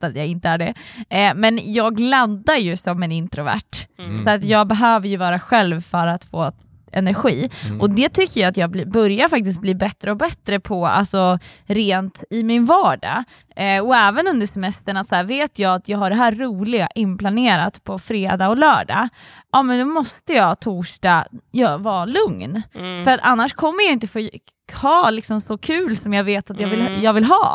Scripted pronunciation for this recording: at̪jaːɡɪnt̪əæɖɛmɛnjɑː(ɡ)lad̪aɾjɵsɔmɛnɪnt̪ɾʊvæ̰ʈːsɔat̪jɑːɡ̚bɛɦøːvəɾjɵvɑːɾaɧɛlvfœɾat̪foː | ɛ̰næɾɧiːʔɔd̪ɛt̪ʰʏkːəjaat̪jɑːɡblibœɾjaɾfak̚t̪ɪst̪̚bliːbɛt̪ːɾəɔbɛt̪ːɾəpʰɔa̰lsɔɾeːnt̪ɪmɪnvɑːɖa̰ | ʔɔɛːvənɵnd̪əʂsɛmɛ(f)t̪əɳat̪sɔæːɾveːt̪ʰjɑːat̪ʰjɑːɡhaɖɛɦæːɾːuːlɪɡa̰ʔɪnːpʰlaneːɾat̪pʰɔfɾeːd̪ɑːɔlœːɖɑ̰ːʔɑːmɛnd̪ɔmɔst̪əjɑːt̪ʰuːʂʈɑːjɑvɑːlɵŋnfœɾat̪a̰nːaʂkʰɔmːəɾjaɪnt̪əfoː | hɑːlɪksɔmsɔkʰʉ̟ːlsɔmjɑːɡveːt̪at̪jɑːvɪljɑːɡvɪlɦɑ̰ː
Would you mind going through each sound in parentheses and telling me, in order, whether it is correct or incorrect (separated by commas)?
correct, incorrect